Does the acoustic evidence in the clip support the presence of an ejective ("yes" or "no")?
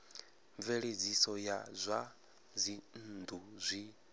no